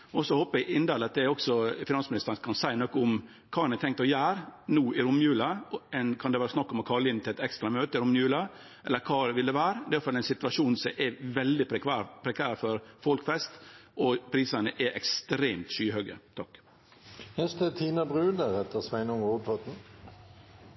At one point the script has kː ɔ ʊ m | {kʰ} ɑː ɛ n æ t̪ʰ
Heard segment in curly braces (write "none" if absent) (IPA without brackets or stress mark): kʰ